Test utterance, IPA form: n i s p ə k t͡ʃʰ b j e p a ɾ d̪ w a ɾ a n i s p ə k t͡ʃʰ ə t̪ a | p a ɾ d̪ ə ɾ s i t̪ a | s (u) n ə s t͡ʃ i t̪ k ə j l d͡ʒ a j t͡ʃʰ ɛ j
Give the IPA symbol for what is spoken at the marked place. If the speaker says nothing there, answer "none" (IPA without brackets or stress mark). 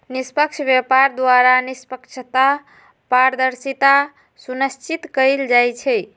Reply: u